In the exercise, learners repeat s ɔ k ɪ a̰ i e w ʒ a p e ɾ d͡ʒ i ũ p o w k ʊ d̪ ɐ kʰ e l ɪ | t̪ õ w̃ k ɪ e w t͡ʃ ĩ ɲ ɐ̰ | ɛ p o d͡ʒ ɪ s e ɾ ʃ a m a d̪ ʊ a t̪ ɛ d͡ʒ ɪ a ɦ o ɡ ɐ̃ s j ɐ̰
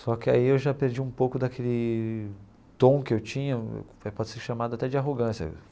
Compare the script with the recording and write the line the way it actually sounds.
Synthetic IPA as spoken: s ɔ k ɪ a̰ i e w ʒ a p e ɾ d͡ʒ i ũ p o w k ʊ d̪ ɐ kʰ e l ɪ | t̪ õ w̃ k ɪ e w t͡ʃ ĩ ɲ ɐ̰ | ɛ p ɔ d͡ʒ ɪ s e ɾ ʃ a m a d̪ ʊ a t̪ ɛ d͡ʒ ɪ a ɦ o ɡ ɐ̃ s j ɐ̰

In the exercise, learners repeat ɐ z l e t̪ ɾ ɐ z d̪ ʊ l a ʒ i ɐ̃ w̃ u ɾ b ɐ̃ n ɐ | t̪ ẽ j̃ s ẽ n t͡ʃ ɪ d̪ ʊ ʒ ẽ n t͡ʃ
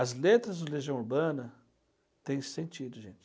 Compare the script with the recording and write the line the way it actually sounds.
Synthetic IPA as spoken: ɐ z l e t̪ ɾ ɐ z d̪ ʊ l e ʒ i ɐ̃ w̃ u ɾ b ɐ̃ n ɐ | t̪ ẽ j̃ s ẽ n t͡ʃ i d̪ ʊ ʒ ẽ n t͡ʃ

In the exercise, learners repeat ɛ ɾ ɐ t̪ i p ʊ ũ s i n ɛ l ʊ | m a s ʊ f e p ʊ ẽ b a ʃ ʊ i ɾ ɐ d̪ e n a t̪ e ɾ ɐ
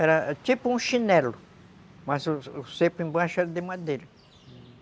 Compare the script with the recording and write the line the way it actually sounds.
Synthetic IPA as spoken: ɛ ɾ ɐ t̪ i p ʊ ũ ʃ i n ɛ l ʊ | m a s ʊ s e p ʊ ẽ b a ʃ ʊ ɛ ɾ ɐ d̪ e m a d̪ e ɾ ɐ

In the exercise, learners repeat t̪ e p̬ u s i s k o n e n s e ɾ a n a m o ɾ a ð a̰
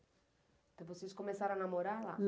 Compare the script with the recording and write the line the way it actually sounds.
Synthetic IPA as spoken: t̪ e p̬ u s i s k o m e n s a ɾ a n a m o ɾ a ð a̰

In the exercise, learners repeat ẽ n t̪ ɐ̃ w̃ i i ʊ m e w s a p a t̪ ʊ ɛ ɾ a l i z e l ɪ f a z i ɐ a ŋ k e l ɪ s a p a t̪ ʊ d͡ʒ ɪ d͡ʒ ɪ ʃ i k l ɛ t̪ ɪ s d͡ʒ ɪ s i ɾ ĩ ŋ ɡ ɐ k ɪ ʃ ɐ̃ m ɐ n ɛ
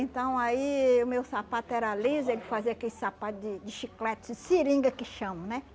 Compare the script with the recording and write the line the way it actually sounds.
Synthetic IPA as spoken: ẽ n t̪ ɐ̃ w̃ a i ʊ m e w s a p a t̪ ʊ ɛ ɾ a l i z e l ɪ f a z i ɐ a k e l ɪ s a p a t̪ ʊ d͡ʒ ɪ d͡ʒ ɪ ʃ i k l ɛ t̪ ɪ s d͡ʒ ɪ s i ɾ ĩ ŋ ɡ ɐ k ɪ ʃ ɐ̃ m ɐ n ɛ

